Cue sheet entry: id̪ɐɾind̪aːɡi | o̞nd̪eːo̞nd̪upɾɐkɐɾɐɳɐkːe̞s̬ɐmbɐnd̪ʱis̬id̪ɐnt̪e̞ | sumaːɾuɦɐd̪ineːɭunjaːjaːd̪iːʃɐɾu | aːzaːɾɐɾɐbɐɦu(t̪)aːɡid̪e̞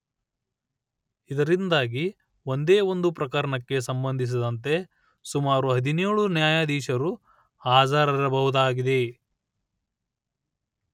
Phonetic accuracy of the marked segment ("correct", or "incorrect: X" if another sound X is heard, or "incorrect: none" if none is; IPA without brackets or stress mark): incorrect: d̪